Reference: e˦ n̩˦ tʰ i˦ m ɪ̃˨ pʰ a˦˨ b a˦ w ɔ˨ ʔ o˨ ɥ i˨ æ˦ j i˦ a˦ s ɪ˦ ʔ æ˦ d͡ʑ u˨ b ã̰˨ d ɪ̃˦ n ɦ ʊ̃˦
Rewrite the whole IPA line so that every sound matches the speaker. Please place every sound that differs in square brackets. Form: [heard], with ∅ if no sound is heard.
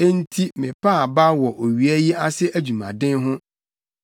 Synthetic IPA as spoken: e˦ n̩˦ tʰ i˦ m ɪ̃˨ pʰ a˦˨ b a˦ w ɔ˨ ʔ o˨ ɥ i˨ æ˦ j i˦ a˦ s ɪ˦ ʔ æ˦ d͡ʑ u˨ [m] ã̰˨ d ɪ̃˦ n ɦ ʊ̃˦